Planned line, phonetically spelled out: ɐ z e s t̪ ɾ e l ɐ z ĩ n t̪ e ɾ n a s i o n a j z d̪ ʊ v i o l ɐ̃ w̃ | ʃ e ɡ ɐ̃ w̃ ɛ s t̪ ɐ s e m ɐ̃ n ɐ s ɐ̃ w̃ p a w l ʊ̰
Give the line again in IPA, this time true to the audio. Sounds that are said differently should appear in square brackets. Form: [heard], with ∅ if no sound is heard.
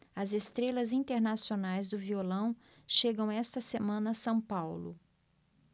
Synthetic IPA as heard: ɐ z e s t̪ ɾ e l ɐ z ĩ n t̪ e ɾ n a s i o n a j z d̪ ʊ v i o l ɐ̃ w̃ | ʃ e ɡ ɐ̃ w̃ ɛ s t̪ ɐ s e m ɐ̃ n ɐ s ɐ̃ w̃ p a w l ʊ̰